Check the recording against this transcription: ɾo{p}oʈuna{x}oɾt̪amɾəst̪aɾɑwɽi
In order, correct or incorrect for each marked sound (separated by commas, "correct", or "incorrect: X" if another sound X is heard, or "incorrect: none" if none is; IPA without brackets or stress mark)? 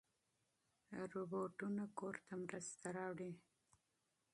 incorrect: b, incorrect: k